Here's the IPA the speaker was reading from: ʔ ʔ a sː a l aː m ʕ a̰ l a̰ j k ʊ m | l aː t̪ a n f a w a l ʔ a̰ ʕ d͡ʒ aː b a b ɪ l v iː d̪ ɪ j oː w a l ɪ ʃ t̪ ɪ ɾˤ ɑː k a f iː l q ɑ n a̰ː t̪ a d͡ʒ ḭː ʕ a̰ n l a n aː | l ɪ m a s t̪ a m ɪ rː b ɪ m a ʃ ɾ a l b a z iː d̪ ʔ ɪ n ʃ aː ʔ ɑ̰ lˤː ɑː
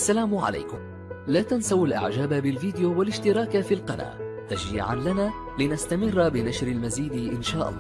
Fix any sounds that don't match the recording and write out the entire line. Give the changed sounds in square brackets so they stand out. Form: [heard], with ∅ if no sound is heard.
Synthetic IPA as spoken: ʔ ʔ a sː a l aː m ʕ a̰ l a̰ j k ʊ m | l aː t̪ a n [s] a w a l ʔ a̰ ʕ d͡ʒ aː b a b ɪ l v iː d̪ ɪ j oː w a l ɪ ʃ t̪ ɪ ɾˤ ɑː k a f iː l q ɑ n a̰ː t̪ a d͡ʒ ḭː ʕ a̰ n l a n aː | l ɪ [n] a s t̪ a m ɪ rː b ɪ [n] a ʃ ɾ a l [m] a z iː d̪ ʔ ɪ n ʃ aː ʔ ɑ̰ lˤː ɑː